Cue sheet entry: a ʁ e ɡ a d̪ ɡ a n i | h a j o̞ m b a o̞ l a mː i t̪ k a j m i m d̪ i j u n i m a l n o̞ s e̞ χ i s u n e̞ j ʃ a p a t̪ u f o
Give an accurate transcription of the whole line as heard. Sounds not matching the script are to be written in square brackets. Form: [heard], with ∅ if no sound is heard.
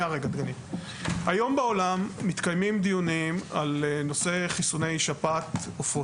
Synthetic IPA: a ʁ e ɡ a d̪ ɡ a n i | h a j o̞ m b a o̞ l a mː i t̪ k a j m i m d̪ i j u n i m a l n o̞ s e̞ χ i s u n e̞ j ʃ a p a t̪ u f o

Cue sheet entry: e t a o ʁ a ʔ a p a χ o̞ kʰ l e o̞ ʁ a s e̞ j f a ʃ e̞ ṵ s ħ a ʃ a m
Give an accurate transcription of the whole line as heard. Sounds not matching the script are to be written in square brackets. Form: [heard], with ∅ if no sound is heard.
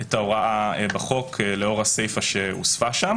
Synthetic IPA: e t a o ʁ a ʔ a [b] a χ o̞ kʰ l e o̞ ʁ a s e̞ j f a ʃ e̞ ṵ s [f] a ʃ a m

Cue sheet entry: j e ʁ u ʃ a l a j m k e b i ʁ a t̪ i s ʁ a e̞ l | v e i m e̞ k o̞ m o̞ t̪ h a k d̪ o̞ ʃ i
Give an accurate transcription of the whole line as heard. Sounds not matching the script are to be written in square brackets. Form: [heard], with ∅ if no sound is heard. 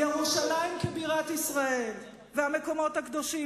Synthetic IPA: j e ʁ u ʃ a l a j m k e b i ʁ a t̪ i s ʁ a e̞ l | v e [a] m e̞ k o̞ m o̞ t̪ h a k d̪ o̞ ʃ i

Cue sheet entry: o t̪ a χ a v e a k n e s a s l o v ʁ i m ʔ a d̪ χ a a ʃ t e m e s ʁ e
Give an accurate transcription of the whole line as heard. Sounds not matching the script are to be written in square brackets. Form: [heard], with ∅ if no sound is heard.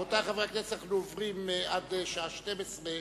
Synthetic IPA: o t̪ a χ a v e a k n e s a [χ] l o v ʁ i m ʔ a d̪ [ʃ] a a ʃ t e m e s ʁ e

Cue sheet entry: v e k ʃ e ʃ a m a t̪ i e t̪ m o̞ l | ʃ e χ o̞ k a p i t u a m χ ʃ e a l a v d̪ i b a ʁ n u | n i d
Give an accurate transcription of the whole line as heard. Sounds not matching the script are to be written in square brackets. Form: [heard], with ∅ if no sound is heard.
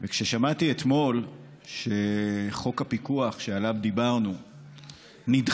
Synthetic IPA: v e k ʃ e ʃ a m a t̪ i e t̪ m o̞ l | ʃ e χ o̞ k a p i [k] u a [∅] χ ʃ e a l a v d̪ i b a ʁ n u | n i d

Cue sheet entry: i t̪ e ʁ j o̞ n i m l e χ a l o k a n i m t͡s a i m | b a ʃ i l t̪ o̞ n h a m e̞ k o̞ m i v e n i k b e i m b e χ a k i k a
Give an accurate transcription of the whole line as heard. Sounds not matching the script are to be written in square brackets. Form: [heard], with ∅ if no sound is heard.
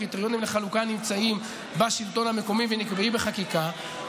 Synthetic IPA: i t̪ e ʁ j o̞ n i m l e χ a l [u] k a n i m t͡s a i m | b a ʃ i l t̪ o̞ n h a m e̞ k o̞ m i v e n i k b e i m b e χ a k i k a

